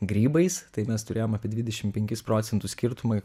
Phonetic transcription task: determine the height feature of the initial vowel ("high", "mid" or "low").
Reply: high